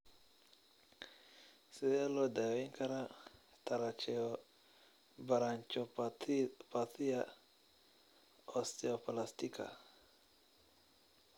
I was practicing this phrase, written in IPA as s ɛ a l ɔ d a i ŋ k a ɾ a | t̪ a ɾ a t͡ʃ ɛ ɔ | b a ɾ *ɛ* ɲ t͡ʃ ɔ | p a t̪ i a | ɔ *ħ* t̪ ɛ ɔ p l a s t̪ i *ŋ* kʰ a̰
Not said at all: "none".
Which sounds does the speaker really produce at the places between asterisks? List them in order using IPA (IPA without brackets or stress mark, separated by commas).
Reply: a, s, none